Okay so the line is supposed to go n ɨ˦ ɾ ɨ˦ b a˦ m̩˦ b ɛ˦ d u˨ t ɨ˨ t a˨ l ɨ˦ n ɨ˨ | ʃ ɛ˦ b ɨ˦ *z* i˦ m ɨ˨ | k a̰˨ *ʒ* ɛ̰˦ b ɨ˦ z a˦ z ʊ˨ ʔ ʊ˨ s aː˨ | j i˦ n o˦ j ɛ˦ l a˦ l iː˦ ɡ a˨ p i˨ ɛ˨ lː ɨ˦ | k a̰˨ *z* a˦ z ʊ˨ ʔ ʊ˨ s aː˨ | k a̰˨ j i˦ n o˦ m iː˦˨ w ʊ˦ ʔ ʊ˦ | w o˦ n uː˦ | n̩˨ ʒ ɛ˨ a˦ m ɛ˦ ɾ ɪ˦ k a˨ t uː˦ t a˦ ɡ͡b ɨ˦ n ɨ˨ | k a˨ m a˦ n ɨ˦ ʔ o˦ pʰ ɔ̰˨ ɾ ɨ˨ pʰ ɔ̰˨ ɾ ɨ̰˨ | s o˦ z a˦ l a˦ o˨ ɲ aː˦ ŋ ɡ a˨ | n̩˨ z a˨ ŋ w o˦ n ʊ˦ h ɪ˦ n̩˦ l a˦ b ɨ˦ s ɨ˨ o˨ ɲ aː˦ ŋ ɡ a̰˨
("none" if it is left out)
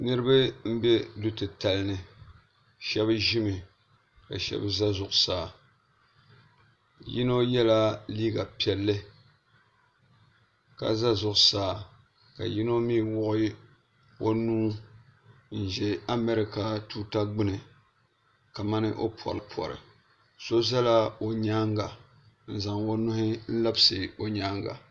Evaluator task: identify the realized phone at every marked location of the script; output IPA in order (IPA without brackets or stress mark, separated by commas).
ʒ, ʃ, z